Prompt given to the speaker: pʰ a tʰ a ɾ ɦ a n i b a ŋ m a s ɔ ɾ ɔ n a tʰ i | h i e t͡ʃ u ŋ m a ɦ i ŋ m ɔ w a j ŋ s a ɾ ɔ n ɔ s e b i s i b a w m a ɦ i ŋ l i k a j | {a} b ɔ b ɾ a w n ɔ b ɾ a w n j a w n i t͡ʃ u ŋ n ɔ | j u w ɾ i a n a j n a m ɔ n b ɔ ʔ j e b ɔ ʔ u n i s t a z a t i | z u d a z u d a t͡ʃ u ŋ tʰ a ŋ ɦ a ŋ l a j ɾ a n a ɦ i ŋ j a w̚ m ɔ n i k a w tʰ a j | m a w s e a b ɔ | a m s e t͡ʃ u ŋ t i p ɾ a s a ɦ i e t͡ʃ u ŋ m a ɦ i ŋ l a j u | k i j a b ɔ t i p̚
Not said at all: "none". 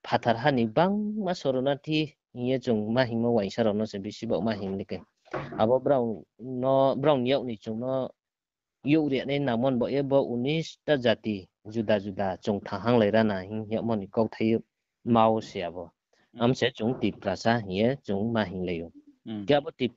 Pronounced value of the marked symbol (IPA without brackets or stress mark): a